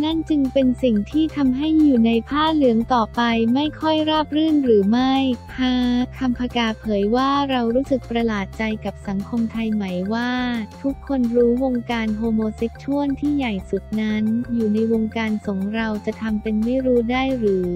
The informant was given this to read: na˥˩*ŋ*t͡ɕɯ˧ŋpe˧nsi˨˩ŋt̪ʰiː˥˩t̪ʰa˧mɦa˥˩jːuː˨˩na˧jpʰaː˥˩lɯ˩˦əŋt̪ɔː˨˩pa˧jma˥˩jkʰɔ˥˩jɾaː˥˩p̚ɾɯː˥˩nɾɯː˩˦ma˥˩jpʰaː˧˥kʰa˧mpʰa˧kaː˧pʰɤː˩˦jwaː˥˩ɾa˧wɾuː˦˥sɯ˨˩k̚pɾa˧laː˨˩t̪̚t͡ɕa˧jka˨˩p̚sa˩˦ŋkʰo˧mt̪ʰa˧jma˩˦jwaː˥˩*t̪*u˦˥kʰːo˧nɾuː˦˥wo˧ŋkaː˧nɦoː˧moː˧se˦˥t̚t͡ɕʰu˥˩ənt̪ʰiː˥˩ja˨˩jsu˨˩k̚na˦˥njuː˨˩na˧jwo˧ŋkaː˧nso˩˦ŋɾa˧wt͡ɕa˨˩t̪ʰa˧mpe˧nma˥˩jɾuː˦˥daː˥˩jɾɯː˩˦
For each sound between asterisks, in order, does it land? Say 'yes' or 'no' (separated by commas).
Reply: no, no